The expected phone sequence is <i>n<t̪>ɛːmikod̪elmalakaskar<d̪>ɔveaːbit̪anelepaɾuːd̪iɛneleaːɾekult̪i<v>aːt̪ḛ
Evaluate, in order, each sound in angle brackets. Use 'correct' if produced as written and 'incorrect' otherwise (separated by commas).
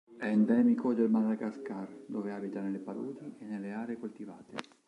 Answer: incorrect, incorrect, correct, correct